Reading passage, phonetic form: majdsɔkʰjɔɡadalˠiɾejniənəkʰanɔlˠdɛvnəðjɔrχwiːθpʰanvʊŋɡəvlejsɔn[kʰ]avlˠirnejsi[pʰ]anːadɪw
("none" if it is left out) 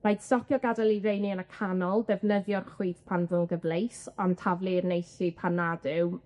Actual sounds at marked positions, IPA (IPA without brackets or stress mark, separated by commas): tʰ, pʰ